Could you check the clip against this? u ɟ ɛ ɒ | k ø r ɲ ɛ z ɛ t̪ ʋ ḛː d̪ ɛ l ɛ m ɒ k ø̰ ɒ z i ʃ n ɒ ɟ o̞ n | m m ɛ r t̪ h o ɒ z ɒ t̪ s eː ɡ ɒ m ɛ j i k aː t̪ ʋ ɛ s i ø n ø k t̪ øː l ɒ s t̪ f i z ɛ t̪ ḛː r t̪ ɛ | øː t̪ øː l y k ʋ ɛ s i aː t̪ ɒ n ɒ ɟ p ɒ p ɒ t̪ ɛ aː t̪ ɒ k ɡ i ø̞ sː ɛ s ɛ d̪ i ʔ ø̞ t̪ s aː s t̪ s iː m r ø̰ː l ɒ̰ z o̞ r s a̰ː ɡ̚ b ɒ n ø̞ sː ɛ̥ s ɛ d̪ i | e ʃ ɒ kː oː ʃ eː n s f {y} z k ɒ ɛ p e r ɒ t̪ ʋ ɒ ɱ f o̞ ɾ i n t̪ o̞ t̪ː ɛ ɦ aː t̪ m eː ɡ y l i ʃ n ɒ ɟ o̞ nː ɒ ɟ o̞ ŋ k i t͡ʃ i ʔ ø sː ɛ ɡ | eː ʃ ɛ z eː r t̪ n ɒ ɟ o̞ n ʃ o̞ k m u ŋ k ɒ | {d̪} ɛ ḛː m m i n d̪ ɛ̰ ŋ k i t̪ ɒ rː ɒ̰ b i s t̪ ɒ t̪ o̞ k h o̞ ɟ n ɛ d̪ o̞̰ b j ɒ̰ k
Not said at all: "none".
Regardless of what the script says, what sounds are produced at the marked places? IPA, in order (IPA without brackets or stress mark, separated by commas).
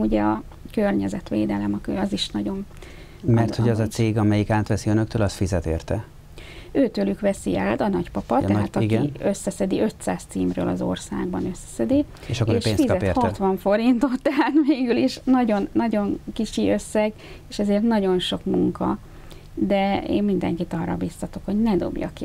i, d̪